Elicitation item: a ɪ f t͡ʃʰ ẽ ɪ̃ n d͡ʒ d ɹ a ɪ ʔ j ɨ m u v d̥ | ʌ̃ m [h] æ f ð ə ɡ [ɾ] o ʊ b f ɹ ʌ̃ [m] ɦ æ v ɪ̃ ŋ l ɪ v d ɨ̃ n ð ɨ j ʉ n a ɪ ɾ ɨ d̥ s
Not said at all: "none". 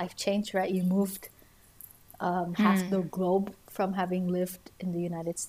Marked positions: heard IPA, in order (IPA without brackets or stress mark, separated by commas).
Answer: h, l, m